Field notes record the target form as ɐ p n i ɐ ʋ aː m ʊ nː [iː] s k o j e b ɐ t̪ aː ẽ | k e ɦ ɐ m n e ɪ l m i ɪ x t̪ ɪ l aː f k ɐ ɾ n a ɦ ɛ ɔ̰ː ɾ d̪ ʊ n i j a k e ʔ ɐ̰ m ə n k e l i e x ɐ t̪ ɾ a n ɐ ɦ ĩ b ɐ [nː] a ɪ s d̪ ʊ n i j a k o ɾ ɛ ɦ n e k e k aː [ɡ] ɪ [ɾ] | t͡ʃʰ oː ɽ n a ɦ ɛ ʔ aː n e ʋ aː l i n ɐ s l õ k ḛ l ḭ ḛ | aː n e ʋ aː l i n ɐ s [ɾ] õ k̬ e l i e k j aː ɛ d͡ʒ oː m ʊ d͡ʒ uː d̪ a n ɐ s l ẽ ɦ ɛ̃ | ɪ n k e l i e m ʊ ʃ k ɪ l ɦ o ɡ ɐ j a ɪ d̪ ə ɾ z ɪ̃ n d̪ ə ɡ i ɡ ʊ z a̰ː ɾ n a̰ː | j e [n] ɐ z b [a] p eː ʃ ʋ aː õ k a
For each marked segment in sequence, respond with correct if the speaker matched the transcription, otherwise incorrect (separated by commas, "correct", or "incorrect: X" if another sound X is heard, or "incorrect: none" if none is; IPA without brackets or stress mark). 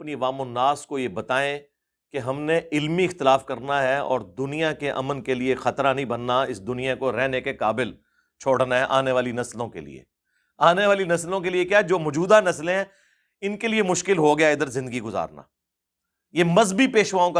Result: incorrect: aː, correct, incorrect: b, incorrect: l, incorrect: l, incorrect: m, incorrect: i